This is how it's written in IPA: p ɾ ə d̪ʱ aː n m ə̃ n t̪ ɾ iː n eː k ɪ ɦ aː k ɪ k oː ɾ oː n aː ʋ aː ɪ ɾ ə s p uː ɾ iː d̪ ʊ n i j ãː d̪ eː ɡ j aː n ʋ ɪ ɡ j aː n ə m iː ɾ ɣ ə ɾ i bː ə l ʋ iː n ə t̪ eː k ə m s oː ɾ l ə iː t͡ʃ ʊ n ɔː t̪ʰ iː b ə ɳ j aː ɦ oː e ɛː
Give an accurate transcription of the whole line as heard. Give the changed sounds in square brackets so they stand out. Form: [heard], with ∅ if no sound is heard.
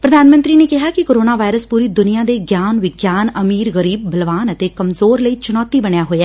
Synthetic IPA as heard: p ɾ ə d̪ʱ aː n m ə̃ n t̪ ɾ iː n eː k ɪ ɦ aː k ɪ k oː ɾ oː n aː ʋ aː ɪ ɾ ə s p uː ɾ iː d̪ ʊ n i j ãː d̪ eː ɡ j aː n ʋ ɪ ɡ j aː n ə m iː ɾ ɣ ə ɾ [iː] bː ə l ʋ [aː] n ə t̪ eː k ə m [z] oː ɾ l ə iː t͡ʃ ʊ n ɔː [t̪] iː b ə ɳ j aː ɦ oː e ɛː